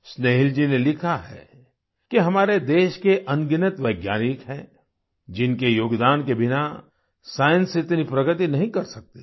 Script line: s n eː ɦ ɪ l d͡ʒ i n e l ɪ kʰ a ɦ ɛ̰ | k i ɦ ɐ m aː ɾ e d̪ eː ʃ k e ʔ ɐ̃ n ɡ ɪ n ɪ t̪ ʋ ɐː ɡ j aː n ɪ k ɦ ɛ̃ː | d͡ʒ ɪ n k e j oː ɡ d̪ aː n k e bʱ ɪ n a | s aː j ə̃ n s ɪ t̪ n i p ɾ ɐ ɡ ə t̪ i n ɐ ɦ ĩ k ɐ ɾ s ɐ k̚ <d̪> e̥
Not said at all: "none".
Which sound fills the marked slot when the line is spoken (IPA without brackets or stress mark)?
t̪